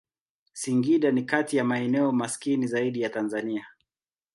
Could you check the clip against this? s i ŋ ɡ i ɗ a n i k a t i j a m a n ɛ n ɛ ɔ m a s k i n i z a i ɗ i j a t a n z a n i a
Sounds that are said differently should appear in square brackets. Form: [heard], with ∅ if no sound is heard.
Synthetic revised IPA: s i ŋ ɡ i ɗ a n i k a t i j a m a [∅] ɛ n ɛ ɔ m a s k i n i z a i ɗ i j a t a n z a n i a